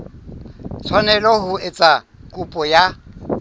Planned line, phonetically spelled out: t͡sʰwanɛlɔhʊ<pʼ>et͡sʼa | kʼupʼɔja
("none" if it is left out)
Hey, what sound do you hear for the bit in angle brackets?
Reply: none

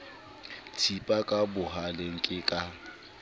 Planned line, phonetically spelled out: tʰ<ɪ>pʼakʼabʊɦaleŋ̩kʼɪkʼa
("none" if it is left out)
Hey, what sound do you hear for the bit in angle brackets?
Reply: i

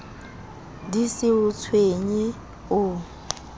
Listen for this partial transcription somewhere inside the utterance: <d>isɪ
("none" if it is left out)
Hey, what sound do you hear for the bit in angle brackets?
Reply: d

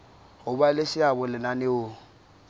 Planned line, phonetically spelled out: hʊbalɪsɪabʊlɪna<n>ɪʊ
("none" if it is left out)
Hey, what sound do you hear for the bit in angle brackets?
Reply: n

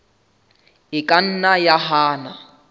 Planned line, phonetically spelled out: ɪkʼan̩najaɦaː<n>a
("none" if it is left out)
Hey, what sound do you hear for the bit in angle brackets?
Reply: n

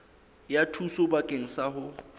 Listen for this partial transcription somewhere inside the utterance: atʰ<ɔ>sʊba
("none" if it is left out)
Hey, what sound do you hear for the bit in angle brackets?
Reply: u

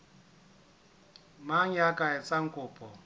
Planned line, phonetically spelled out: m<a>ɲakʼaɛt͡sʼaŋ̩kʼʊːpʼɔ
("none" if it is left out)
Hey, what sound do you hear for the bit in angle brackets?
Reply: a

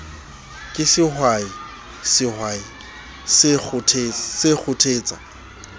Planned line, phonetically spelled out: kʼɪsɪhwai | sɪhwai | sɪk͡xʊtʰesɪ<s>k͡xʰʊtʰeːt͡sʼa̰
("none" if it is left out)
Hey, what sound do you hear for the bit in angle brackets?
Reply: none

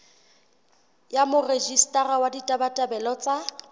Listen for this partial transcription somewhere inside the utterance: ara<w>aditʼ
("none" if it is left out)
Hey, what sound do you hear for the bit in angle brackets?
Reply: w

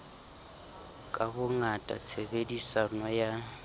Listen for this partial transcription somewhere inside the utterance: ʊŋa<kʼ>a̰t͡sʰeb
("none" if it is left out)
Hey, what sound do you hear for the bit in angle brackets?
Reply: tʼ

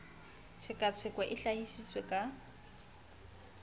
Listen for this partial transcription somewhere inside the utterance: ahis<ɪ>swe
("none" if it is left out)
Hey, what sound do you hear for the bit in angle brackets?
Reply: i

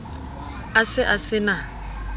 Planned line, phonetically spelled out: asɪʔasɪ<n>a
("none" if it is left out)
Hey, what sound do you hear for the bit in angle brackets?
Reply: n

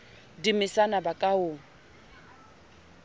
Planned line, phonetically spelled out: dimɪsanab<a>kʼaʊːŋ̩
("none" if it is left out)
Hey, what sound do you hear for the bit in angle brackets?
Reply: a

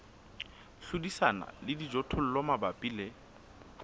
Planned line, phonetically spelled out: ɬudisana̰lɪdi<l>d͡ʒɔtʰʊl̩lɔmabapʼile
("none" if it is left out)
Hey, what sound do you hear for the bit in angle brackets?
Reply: none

